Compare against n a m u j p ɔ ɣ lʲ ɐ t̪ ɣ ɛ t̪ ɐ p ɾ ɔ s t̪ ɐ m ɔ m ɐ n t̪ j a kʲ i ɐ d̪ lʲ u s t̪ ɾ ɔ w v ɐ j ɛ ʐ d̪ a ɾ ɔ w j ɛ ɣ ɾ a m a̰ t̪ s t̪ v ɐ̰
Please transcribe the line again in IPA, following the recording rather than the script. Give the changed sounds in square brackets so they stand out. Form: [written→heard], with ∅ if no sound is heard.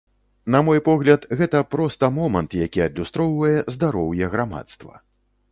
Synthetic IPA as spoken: n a m [u→ɔ] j p ɔ ɣ lʲ ɐ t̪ ɣ ɛ t̪ ɐ p ɾ ɔ s t̪ ɐ m ɔ m ɐ n t̪ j a kʲ i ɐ d̪ lʲ u s t̪ ɾ ɔ w v ɐ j ɛ [ʐ→z] d̪ a ɾ ɔ w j ɛ ɣ ɾ a m a̰ t̪ s t̪ v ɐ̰